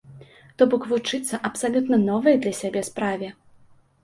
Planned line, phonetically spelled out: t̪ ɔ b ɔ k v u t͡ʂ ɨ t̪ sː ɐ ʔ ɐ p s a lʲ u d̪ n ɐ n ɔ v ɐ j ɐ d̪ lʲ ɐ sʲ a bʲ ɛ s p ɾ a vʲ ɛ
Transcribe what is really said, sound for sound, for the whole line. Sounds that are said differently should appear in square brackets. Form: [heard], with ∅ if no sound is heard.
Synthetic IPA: t̪ ɔ b ɔ k v u t͡ʂ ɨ t̪ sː ɐ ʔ ɐ p s a lʲ u [t̪] n ɐ n ɔ v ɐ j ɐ d̪ lʲ ɐ sʲ a bʲ ɛ s p ɾ a vʲ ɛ

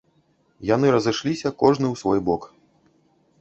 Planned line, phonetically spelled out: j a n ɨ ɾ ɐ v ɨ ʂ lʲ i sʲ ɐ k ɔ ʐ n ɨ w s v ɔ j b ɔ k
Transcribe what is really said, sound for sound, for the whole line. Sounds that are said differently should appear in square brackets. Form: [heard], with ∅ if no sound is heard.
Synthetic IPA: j a n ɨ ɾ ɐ [z] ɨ ʂ lʲ i sʲ ɐ k ɔ ʐ n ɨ w s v ɔ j b ɔ k

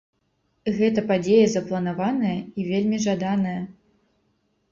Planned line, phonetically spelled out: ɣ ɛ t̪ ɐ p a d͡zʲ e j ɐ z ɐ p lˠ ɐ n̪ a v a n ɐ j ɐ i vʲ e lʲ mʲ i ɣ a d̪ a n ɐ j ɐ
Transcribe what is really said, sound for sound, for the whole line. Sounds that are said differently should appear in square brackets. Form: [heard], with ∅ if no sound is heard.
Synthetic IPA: ɣ ɛ t̪ ɐ p a d͡zʲ e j ɐ z ɐ p lˠ ɐ n̪ a v a n ɐ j ɐ i vʲ e lʲ mʲ i [ʐ] a d̪ a n ɐ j ɐ

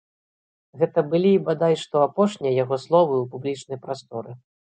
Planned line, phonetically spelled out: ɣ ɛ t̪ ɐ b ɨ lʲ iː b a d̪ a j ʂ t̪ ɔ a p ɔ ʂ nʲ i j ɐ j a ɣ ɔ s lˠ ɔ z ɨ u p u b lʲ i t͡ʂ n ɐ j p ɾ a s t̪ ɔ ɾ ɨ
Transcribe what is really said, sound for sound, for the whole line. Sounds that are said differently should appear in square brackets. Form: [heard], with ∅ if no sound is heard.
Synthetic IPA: ɣ ɛ t̪ ɐ b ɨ lʲ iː b a d̪ a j ʂ t̪ ɔ a p ɔ ʂ nʲ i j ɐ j a ɣ ɔ s lˠ ɔ [v] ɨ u p u b lʲ i t͡ʂ n ɐ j p ɾ a s t̪ ɔ ɾ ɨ

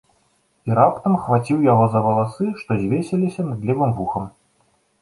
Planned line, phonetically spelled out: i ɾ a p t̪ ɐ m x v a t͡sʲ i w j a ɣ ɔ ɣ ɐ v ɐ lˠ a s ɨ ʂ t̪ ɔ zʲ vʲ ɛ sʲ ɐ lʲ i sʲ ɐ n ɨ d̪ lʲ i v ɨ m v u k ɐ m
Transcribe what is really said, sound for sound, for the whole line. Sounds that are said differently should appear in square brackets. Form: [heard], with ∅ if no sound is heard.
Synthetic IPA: i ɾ a p t̪ ɐ m x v a t͡sʲ i w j a ɣ ɔ [z] ɐ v ɐ lˠ a s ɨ ʂ t̪ ɔ zʲ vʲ [e] sʲ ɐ lʲ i sʲ ɐ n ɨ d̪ lʲ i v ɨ m v u [x] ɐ m

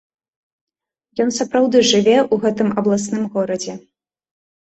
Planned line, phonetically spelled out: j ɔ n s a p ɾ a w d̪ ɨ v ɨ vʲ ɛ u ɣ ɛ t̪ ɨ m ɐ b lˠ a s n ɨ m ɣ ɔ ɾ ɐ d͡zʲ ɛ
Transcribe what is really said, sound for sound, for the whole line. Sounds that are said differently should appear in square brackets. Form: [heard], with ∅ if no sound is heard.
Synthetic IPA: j ɔ n s a p ɾ a w d̪ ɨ [ʐ] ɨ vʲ ɛ u ɣ ɛ t̪ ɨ m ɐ b lˠ a s n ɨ m ɣ ɔ ɾ ɐ d͡zʲ ɛ

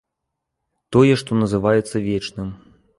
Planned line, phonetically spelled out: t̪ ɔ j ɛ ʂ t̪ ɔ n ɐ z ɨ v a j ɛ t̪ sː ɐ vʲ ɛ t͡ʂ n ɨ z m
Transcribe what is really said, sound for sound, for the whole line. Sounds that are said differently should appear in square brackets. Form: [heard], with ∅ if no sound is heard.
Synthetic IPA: t̪ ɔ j ɛ ʂ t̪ ɔ n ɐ z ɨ v a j ɛ t̪ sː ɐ vʲ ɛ t͡ʂ n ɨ [∅] m

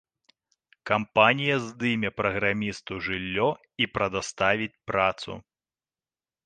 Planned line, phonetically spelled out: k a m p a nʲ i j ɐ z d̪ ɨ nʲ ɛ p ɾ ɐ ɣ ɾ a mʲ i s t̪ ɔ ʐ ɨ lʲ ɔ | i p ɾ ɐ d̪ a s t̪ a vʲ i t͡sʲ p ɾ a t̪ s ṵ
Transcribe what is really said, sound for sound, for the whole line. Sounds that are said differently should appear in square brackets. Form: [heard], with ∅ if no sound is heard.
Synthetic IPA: k a m p a nʲ i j ɐ z d̪ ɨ [mʲ] ɛ p ɾ ɐ ɣ ɾ a mʲ i s t̪ [u] ʐ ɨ [lʲː] ɔ | i p ɾ ɐ d̪ a s t̪ a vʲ i t͡sʲ p ɾ a t̪ s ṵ

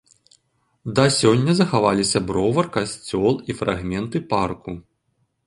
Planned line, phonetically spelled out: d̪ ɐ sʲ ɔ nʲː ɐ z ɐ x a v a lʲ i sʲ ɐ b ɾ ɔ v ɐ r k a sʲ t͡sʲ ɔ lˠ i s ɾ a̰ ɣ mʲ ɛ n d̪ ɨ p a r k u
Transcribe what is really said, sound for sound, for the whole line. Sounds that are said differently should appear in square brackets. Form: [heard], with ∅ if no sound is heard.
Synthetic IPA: d̪ ɐ sʲ ɔ nʲː ɐ z ɐ x a v a lʲ i sʲ ɐ b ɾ ɔ v ɐ r k a sʲ t͡sʲ ɔ lˠ i [f] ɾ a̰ ɣ mʲ ɛ n [t̪] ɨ p a r k u

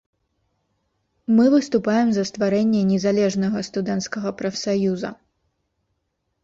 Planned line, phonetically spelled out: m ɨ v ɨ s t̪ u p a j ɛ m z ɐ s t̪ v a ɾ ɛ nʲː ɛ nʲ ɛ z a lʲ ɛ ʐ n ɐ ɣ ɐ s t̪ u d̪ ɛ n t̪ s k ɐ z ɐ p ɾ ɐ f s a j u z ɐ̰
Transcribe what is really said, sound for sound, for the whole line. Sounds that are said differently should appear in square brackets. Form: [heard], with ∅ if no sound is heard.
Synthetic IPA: m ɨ v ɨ s t̪ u p a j ɛ m z ɐ s t̪ v a ɾ ɛ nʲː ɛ nʲ ɛ z a lʲ ɛ ʐ n ɐ ɣ ɐ s t̪ u d̪ ɛ n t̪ s k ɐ [ɣ] ɐ p ɾ ɐ f s a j u z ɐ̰

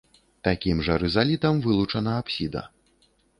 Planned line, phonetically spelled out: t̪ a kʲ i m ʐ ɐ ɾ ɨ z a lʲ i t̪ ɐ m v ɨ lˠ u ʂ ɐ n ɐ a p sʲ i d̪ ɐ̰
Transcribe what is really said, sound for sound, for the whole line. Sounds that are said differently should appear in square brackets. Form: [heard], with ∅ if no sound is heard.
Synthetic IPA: t̪ a kʲ i m ʐ ɐ ɾ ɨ z a lʲ i t̪ ɐ m v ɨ lˠ u [t͡ʂ] ɐ n ɐ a p sʲ i d̪ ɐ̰

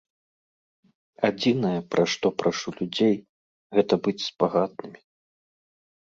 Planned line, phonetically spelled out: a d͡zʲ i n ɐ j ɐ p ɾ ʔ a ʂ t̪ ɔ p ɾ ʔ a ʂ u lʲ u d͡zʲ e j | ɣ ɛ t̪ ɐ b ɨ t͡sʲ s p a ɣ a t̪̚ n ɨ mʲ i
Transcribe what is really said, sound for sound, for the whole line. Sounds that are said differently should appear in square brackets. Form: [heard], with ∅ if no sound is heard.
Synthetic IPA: a d͡zʲ i n ɐ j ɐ p ɾ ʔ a ʂ t̪ ɔ p ɾ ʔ a ʂ u lʲ u d͡zʲ e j | ɣ ɛ t̪ ɐ b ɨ t͡sʲ s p a ɣ a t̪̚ n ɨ mʲ i

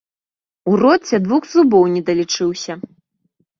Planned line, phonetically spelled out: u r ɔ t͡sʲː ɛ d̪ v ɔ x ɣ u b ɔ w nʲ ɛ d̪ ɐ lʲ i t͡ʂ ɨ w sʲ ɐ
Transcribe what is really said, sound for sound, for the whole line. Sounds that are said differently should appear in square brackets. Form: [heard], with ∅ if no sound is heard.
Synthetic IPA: u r ɔ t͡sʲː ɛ d̪ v [u] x [z] u b ɔ w nʲ ɛ d̪ ɐ lʲ i t͡ʂ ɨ w sʲ ɐ

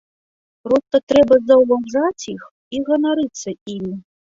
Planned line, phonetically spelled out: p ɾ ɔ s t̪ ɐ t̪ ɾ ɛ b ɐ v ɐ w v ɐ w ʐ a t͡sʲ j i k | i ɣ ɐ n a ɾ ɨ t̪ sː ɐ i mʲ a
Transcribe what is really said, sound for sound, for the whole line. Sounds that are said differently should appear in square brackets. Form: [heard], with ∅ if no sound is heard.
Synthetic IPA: p ɾ ɔ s t̪ ɐ t̪ ɾ ɛ b ɐ [z] ɐ w v [a] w ʐ a t͡sʲ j i [x] | i ɣ ɐ n a ɾ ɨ t̪ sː ɐ i mʲ [i]

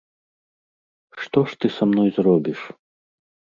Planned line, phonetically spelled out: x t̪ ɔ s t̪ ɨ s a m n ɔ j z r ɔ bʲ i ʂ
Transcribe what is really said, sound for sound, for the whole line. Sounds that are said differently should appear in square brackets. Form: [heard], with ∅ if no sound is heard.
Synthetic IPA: [ʂ] t̪ ɔ [ʂ] t̪ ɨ s a m n ɔ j z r ɔ bʲ i ʂ

